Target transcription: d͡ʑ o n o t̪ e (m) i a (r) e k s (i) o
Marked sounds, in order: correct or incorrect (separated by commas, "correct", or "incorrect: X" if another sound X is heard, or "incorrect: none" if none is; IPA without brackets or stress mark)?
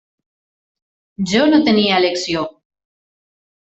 incorrect: n, incorrect: l, incorrect: j